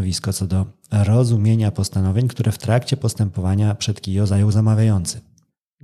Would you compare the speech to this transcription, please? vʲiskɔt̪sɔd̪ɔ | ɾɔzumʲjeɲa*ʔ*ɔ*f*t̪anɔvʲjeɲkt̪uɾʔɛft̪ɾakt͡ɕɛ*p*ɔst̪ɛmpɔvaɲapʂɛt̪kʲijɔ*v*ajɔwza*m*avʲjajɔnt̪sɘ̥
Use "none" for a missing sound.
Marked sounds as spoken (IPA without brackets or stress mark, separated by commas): p, s, p, z, m